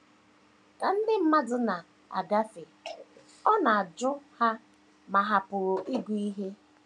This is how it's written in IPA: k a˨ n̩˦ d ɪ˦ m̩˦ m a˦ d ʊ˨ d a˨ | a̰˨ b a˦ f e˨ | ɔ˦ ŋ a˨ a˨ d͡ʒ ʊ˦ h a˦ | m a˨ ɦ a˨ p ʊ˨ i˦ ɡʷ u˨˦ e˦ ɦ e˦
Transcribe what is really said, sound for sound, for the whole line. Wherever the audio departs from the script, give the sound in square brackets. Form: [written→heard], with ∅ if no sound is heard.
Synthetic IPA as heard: k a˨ n̩˦ d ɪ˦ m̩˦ m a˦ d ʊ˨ [d→n] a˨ | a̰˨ [b→ɡ] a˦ f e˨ | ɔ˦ [ŋ→n] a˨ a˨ d͡ʒ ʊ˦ h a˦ | m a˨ ɦ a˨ p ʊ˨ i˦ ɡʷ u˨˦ [e˦→i˦] ɦ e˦